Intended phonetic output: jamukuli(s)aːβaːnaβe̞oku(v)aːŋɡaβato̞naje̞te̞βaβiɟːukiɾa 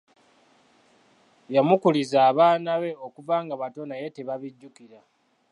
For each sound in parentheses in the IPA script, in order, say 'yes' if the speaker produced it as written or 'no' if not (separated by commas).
no, yes